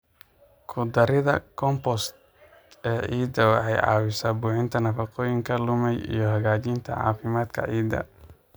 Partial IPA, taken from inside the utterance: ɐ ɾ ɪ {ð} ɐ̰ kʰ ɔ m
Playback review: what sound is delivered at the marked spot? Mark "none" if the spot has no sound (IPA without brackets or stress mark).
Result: ð